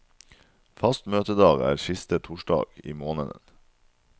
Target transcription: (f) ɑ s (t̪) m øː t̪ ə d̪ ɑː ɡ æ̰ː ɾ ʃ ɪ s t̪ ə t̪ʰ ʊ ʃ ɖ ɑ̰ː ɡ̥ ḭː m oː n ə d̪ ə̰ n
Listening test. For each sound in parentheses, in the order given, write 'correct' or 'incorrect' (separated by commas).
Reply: correct, correct